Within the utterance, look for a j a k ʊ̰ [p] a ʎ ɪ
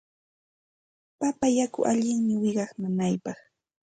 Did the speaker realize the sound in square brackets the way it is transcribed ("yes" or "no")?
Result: no